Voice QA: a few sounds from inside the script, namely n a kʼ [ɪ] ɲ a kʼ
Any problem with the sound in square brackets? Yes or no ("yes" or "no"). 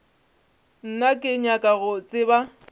no